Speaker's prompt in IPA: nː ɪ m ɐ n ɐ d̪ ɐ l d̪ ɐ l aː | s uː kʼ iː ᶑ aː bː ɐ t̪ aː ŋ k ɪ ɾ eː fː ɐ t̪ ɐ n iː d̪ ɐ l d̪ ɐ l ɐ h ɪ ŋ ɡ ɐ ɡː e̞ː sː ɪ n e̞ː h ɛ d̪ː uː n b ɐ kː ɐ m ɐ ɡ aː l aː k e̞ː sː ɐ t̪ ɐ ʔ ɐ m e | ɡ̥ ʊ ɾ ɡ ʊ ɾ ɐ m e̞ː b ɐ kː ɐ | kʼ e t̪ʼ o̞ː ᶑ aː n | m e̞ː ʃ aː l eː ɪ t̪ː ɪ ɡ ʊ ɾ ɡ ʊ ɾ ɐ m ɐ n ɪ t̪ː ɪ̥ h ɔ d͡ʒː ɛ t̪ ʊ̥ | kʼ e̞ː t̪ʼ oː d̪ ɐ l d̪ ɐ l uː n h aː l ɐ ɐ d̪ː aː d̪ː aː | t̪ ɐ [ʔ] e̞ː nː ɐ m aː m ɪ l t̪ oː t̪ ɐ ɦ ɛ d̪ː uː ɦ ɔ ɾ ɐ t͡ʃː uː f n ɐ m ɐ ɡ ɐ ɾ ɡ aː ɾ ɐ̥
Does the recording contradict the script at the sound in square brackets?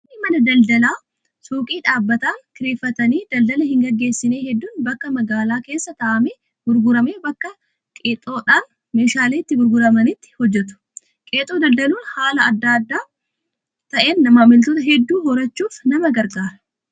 no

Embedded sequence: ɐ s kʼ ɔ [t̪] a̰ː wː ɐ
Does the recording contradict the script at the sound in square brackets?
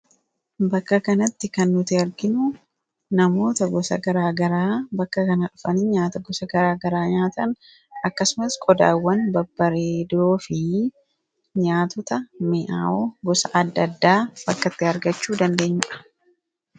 yes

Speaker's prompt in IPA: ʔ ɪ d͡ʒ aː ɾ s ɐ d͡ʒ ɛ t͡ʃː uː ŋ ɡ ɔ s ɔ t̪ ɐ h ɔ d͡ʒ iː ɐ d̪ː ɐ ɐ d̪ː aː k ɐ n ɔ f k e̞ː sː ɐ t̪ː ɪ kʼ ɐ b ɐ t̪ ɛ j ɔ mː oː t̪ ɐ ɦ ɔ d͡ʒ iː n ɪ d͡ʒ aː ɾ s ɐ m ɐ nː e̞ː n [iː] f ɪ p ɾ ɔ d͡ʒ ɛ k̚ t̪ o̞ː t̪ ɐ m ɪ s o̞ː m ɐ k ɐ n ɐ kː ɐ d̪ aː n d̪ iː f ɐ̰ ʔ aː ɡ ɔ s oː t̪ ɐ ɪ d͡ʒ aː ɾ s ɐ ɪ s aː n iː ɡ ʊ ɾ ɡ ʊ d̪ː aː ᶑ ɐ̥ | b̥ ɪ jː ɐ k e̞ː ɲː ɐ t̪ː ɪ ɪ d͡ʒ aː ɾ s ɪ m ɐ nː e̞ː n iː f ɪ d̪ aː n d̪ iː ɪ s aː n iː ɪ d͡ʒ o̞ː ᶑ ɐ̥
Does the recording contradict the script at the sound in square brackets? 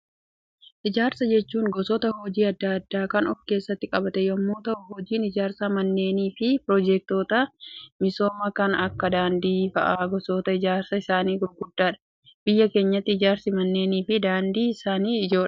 no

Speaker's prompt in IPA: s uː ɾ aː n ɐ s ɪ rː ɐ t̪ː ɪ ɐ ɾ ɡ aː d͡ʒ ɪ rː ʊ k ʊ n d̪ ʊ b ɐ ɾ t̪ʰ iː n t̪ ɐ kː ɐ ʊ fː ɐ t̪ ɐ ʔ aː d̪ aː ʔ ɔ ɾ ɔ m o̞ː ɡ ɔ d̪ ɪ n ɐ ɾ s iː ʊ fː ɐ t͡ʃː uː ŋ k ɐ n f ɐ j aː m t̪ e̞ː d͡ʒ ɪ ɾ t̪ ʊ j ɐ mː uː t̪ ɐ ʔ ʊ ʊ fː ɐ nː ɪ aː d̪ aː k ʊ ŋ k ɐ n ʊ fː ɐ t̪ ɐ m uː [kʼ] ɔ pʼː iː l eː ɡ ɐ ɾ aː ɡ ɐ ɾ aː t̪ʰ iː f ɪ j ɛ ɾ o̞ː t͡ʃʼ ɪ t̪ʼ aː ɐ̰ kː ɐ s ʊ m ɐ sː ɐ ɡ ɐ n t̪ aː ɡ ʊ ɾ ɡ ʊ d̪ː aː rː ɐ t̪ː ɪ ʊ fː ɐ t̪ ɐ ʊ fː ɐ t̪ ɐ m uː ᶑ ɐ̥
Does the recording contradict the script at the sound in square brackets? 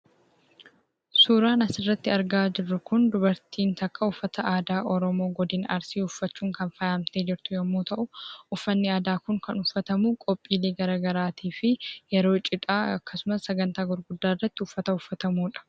no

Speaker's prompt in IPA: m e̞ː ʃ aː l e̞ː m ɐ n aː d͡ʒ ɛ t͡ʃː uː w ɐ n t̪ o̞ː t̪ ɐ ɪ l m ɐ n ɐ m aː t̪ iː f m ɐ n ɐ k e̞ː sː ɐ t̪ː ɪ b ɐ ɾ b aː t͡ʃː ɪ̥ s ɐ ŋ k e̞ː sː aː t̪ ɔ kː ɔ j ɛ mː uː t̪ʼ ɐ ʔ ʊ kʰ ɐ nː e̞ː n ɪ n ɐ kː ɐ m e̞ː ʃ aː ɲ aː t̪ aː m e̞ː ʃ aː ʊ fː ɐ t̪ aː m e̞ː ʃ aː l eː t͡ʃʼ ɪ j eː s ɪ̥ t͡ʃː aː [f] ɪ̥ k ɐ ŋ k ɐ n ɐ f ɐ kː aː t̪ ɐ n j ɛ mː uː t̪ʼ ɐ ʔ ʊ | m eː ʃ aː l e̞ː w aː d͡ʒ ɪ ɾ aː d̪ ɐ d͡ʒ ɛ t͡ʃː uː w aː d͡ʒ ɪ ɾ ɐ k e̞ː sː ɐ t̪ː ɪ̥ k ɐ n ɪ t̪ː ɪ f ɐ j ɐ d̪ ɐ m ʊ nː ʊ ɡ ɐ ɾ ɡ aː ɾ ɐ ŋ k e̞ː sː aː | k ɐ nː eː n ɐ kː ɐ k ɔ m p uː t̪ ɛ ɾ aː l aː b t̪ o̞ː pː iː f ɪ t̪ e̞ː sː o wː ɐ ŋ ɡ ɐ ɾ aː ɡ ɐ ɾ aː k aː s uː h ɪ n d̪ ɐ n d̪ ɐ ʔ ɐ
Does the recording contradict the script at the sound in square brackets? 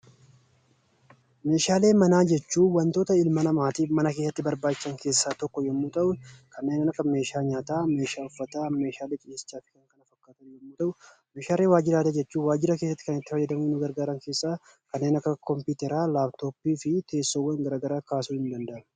no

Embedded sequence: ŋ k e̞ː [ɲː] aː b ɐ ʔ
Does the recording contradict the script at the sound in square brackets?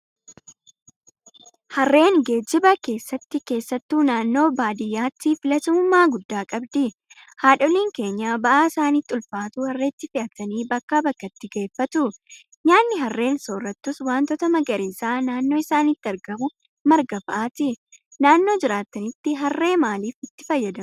no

